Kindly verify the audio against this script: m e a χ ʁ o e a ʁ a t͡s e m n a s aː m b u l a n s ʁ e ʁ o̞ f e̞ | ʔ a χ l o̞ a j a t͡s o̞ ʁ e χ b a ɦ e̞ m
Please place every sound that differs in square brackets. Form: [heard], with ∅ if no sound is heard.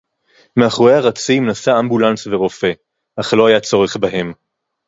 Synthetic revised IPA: m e a χ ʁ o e a ʁ a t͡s [i] m n a s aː m b u l a n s [v] e ʁ o̞ f e̞ | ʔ a χ l o̞ a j a t͡s o̞ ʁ e χ b a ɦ e̞ m